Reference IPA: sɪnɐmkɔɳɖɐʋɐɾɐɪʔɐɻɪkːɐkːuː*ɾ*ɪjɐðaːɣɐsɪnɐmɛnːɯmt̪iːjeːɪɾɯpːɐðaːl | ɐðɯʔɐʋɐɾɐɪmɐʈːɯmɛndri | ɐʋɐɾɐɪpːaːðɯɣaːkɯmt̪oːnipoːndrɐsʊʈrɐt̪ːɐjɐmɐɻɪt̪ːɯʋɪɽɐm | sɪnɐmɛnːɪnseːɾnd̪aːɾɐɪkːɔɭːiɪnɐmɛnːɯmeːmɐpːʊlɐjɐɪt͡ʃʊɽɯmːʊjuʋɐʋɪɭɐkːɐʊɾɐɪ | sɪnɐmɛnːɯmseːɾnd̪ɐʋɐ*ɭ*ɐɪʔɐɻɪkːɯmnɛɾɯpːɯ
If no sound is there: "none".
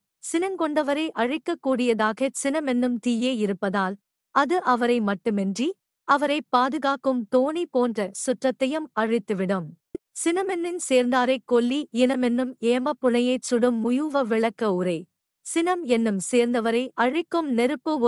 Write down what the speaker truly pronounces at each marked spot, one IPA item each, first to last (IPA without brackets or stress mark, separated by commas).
ɽ, ɾ